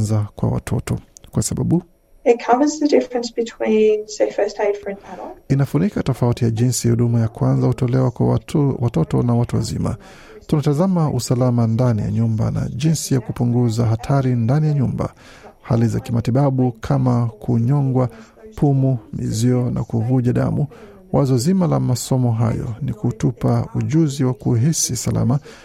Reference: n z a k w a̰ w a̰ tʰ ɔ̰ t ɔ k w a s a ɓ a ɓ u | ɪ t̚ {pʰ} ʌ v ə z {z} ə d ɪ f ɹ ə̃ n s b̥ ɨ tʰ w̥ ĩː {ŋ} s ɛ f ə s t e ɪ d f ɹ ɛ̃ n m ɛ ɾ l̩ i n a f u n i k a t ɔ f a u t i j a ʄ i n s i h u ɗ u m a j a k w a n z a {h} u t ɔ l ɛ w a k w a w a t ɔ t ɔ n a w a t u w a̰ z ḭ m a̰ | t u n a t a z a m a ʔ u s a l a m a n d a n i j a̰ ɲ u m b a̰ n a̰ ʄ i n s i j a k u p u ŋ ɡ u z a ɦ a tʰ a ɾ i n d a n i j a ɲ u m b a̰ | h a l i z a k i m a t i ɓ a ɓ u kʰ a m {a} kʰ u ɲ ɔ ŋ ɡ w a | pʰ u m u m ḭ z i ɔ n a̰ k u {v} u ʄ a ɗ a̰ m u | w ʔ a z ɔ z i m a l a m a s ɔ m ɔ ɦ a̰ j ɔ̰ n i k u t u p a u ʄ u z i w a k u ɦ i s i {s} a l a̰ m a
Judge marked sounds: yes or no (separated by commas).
no, no, no, yes, yes, yes, yes